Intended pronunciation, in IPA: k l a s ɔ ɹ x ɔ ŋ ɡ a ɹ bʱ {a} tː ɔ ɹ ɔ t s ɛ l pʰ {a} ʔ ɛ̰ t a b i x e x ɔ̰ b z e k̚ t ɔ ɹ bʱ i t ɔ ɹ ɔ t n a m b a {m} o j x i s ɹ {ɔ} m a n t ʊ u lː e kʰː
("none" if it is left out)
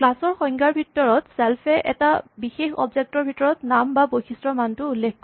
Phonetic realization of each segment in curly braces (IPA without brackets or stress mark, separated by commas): i, ɛ, b, ɔ